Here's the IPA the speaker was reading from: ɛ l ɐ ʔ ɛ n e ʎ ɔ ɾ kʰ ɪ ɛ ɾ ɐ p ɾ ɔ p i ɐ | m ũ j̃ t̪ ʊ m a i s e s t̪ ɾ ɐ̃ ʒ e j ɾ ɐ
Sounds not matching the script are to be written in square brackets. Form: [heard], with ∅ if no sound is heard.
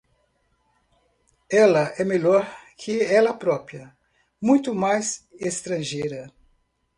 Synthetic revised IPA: ɛ l ɐ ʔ ɛ [m] e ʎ ɔ ɾ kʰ ɪ ɛ [l] ɐ p ɾ ɔ p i ɐ | m ũ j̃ t̪ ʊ m a [j] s e s t̪ ɾ ɐ̃ ʒ e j ɾ ɐ